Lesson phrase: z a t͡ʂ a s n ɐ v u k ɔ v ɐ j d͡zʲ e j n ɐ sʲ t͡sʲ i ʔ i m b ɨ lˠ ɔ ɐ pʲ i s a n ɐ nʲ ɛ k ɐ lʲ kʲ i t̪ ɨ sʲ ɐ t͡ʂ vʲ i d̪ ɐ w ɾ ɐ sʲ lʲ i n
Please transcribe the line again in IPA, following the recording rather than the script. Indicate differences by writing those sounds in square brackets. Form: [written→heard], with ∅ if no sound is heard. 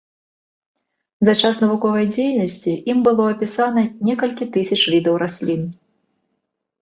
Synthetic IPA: z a t͡ʂ a s n ɐ v u k ɔ v ɐ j d͡zʲ e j n ɐ sʲ t͡sʲ i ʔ i m b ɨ lˠ ɔ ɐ pʲ i s a n ɐ nʲ ɛ k ɐ lʲ kʲ i t̪ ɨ sʲ ɐ t͡ʂ vʲ i d̪ ɐ w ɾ [ɐ→a] sʲ lʲ i n